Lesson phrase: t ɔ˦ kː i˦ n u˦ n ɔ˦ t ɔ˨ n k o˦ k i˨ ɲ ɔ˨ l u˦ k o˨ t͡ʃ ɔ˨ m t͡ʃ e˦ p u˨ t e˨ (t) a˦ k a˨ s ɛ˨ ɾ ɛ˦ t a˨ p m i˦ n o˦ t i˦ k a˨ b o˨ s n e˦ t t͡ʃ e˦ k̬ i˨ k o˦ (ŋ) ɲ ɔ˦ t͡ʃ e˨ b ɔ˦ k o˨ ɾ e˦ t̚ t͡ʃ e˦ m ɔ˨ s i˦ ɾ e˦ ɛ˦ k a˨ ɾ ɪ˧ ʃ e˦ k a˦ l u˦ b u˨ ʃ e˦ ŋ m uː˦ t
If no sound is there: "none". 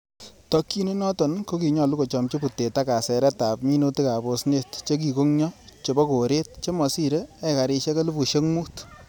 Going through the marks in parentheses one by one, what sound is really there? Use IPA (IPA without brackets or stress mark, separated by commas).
t, ŋ